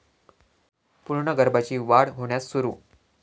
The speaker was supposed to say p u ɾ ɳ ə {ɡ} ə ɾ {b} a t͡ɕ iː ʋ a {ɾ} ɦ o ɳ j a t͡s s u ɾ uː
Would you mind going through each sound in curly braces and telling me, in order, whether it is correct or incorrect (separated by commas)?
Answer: correct, correct, incorrect